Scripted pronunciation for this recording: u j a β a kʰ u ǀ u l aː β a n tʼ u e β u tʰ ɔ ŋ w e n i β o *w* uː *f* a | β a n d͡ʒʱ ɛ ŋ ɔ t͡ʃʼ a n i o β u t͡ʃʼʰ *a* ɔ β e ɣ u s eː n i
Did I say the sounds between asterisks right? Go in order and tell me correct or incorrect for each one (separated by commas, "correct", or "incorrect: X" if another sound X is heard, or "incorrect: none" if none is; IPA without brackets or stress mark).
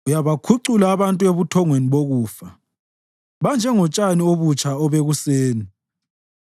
incorrect: ɣ, correct, correct